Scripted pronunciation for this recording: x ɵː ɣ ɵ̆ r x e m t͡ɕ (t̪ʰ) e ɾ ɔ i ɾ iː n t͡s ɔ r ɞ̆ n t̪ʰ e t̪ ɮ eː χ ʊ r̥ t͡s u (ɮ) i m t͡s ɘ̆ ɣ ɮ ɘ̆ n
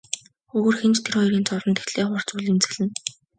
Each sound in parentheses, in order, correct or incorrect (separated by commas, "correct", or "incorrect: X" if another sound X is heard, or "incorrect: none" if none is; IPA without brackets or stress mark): correct, correct